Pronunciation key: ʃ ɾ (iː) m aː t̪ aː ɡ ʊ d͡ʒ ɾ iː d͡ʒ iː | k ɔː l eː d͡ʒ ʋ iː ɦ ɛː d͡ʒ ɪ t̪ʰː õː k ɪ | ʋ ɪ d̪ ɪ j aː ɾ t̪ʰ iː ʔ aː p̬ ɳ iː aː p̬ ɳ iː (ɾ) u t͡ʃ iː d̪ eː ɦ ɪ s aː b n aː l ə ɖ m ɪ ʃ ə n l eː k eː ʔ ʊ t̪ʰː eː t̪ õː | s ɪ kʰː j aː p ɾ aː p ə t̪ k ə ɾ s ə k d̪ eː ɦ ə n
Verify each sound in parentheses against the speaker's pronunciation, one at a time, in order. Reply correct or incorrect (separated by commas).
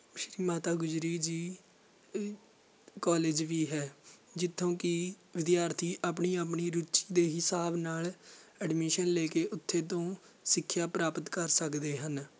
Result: correct, correct